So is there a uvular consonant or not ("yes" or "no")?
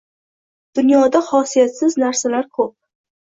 no